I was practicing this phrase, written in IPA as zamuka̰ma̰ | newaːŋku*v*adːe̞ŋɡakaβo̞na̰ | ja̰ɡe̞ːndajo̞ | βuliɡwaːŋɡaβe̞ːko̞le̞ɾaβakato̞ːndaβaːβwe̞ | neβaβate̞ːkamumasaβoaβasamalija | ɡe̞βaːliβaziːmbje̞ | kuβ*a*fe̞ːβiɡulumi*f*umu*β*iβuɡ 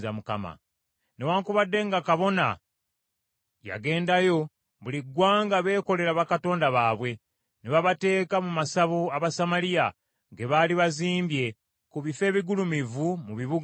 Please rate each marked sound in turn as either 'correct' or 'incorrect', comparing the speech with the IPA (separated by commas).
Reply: incorrect, incorrect, incorrect, correct